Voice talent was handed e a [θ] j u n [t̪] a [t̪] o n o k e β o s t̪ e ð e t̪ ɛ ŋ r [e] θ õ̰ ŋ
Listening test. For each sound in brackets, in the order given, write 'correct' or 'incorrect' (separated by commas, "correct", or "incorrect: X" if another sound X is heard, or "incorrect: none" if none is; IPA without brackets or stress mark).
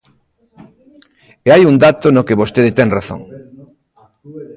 incorrect: none, incorrect: d̪, correct, incorrect: a